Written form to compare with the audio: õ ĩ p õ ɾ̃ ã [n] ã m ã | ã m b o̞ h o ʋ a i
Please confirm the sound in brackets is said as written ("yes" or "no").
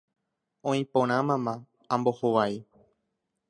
no